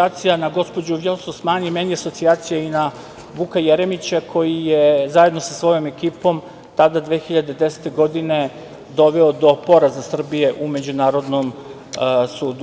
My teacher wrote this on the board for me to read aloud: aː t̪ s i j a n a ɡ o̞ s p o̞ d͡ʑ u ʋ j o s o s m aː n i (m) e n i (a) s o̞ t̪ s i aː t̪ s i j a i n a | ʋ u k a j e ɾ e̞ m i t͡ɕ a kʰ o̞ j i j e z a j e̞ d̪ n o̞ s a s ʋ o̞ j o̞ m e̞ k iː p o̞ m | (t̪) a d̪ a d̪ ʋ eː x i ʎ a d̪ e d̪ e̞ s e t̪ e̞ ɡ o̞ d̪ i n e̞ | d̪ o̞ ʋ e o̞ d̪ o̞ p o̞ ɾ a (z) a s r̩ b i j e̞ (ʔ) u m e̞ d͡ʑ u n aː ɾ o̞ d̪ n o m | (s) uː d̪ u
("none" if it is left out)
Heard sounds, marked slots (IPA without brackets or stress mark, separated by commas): m, a, t̪, z, ʔ, s